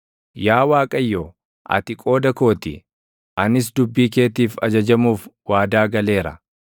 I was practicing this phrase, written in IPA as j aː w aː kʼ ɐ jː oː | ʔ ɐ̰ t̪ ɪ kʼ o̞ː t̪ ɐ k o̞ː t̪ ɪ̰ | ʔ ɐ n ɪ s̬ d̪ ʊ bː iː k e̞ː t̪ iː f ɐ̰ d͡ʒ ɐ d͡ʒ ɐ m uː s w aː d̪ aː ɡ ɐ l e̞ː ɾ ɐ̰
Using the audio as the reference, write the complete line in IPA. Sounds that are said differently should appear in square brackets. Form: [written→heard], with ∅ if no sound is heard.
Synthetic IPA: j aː w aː kʼ ɐ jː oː | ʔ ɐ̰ t̪ ɪ kʼ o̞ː [t̪→d̪] ɐ k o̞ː t̪ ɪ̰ | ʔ ɐ n ɪ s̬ d̪ ʊ bː iː k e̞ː t̪ iː f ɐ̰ d͡ʒ ɐ d͡ʒ ɐ m uː [s→f] w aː d̪ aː ɡ ɐ l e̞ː ɾ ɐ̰